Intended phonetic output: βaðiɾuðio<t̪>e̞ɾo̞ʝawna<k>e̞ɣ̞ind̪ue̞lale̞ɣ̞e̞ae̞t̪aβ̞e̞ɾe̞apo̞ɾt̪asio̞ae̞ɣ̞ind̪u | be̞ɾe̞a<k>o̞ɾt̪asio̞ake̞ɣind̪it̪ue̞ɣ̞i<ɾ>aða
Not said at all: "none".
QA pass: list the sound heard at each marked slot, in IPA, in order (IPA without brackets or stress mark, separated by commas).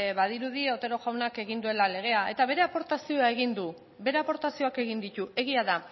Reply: t̪, k, p, none